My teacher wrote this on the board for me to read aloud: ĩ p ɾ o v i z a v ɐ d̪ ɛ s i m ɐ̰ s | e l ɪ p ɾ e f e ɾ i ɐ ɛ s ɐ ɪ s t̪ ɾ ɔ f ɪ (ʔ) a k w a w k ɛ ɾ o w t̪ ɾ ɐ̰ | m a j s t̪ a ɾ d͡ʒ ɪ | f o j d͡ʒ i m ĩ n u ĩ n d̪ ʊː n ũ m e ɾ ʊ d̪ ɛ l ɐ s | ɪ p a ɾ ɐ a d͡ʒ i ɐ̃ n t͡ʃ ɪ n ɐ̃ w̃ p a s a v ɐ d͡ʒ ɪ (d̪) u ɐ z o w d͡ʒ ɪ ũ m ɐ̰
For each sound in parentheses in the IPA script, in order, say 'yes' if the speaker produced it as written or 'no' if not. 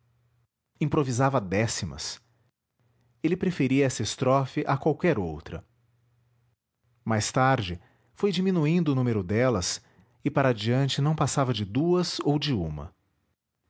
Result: yes, yes

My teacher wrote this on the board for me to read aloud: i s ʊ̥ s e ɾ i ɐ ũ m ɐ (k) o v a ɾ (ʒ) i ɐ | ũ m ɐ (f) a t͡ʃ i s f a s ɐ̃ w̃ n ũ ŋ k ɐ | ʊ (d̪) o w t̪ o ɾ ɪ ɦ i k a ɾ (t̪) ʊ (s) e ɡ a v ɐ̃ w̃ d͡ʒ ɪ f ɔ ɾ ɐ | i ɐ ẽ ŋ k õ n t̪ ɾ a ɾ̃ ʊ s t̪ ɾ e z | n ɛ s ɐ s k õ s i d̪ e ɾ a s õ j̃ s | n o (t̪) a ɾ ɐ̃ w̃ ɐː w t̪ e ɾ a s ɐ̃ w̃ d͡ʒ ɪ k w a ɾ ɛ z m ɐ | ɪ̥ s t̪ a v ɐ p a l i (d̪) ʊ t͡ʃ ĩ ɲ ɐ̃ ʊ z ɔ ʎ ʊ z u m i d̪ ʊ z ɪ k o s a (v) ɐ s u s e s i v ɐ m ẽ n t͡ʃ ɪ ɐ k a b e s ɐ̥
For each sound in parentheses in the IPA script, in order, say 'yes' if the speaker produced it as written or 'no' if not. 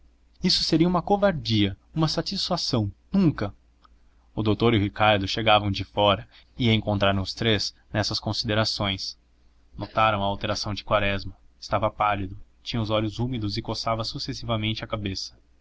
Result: yes, no, no, yes, no, no, yes, yes, yes

